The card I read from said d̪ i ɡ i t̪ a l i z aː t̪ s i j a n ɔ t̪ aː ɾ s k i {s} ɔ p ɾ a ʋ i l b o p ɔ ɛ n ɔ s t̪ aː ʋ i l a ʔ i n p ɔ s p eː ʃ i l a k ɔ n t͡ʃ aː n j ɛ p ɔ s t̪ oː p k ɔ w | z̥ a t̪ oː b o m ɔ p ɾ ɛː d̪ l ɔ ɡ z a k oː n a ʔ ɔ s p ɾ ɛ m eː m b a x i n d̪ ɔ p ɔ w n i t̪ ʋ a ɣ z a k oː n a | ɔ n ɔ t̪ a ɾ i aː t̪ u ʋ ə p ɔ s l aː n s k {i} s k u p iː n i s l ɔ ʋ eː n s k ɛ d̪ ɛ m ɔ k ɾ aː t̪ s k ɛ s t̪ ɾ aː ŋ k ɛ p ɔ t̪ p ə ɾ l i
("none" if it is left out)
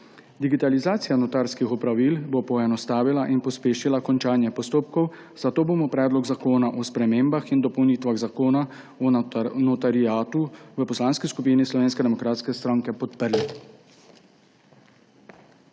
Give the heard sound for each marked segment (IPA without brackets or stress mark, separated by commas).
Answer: x, i